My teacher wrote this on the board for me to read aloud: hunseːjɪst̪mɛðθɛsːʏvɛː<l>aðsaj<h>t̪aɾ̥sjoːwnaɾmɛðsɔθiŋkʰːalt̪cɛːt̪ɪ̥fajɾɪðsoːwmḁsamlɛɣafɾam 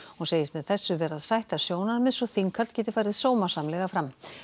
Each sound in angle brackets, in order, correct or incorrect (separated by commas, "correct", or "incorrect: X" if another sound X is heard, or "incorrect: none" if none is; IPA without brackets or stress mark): incorrect: ɾ, correct